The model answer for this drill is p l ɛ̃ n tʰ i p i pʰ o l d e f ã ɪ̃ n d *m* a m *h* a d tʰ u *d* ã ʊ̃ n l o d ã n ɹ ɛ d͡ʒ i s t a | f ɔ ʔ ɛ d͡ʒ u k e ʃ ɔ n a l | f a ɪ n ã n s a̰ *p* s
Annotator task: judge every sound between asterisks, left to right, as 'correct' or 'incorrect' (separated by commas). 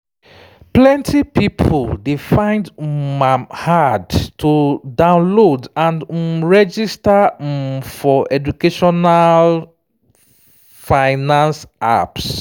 correct, correct, correct, correct